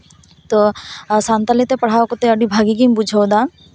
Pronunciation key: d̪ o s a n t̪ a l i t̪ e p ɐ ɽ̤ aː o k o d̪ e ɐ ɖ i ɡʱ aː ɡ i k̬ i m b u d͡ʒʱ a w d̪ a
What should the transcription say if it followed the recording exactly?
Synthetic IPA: t̪ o s a n t̪ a l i t̪ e p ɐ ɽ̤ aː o k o t̪ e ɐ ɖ i bʱ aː ɡ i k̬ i m b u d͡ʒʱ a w d̪ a

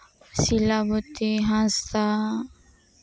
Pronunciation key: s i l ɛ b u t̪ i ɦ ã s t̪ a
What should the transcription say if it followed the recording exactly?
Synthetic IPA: s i l a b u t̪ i ɦ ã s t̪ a

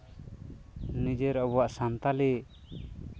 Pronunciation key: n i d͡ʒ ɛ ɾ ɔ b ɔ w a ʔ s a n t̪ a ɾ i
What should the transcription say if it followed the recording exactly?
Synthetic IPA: n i d͡ʒ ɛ ɾ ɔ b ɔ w a ʔ s a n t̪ a l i

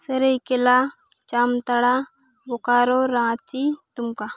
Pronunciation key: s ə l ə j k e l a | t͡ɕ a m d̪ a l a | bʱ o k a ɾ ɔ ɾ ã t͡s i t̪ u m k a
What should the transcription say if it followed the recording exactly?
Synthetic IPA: s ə ɾ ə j k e l a | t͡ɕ a m t̪ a ɽ a | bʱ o k a ɾ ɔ ɾ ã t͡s i t̪ u m k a

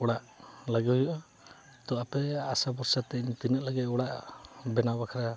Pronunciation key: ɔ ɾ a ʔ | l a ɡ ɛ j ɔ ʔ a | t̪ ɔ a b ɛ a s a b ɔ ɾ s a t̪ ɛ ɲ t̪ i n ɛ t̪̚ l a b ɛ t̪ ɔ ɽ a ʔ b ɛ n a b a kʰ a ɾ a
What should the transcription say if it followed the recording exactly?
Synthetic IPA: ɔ ɽ a ʔ | l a ɡ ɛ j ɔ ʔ a | t̪ ɔ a p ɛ a s a b ɔ ɾ s a t̪ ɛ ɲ t̪ i n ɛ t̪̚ l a ɡ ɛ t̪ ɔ ɽ a ʔ b ɛ n a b a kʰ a ɾ a

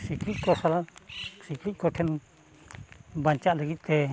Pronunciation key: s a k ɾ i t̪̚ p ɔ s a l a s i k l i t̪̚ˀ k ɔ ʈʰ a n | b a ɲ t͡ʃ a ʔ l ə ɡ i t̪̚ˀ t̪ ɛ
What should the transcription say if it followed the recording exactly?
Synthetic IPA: s i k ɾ i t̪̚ k ɔ s a l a s i k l i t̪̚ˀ k ɔ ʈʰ ɛ n | b a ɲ t͡ʃ a ʔ l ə ɡ i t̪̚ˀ t̪ ɛ

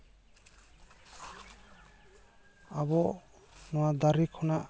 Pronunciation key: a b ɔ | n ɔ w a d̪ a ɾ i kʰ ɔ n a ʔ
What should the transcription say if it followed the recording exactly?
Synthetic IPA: a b ɔ | n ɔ w a d̪ a ɾ i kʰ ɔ n a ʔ

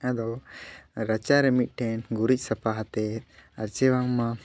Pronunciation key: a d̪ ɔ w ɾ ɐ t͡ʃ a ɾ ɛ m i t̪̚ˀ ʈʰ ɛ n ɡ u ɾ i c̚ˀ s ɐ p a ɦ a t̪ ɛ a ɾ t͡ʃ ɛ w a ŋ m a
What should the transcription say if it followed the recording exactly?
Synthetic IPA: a d̪ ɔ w ɾ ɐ t͡ʃ a ɾ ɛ m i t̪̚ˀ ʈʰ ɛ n ɡ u ɾ i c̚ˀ s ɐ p a ɦ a t̪ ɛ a ɾ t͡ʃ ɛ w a ŋ m a

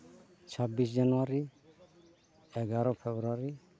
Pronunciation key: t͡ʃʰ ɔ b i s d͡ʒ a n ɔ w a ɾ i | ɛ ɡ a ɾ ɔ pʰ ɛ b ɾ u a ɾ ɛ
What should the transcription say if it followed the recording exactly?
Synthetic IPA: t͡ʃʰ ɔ b i s d͡ʒ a n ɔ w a ɾ i | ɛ ɡ a ɾ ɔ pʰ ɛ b ɾ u a ɾ i

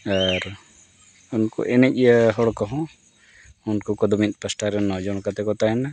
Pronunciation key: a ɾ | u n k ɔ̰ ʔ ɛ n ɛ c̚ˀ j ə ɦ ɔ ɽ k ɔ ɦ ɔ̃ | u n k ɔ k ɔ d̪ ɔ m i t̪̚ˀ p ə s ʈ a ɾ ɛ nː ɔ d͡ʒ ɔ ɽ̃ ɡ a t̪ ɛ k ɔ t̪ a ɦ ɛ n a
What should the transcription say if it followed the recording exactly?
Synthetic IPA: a ɾ | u n k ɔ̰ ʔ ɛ n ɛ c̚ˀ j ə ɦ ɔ ɽ k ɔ ɦ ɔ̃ | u n k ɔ k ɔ d̪ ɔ m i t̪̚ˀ p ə s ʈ a ɾ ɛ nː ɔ d͡ʒ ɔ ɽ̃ k a t̪ ɛ k ɔ t̪ a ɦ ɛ n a

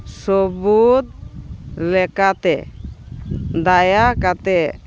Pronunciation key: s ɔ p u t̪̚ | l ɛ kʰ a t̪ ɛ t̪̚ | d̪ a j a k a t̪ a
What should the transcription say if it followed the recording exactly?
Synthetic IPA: s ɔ b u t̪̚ | l ɛ k a t̪ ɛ | d̪ a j a k a t̪ ɛ

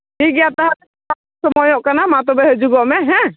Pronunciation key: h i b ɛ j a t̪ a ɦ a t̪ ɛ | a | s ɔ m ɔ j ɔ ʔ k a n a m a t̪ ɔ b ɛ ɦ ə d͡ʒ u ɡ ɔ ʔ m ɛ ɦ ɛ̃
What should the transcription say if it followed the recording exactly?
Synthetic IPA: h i ɡ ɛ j a t̪ a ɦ a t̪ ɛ | a | s ɔ m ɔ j ɔ ʔ k a n a m a t̪ ɔ b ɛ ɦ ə d͡ʒ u ɡ ɔ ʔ m ɛ ɦ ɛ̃

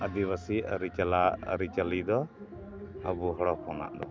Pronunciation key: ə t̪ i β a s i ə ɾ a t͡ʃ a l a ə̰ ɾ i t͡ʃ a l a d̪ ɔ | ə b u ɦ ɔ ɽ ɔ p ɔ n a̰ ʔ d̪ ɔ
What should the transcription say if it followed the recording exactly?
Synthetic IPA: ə d̪ i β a s i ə ɾ i t͡ʃ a l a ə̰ ɾ i t͡ʃ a l i d̪ ɔ | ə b u ɦ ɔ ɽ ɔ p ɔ n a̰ ʔ d̪ ɔ

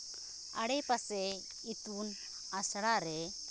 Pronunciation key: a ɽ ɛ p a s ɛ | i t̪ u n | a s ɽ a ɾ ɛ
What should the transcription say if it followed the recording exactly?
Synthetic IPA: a ɽ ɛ p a s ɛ | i t̪ u n | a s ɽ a ɾ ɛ

